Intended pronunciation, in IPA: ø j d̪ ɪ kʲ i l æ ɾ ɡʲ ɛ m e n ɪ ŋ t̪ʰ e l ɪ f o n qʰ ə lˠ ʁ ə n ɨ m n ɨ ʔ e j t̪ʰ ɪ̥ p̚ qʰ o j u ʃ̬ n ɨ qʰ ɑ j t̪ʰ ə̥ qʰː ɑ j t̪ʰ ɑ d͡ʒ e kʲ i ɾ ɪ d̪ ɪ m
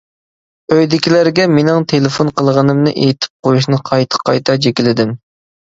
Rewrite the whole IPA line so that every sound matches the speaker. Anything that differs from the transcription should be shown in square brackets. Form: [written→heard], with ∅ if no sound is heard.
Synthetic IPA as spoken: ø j d̪ ɪ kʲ i l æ ɾ ɡʲ ɛ m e n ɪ ŋ t̪ʰ e l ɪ f o n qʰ ə lˠ ʁ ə n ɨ m n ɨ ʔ e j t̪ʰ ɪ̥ p̚ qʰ o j u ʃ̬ n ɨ qʰ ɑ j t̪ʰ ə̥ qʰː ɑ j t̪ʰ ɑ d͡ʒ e kʲ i [ɾ→l] ɪ d̪ ɪ m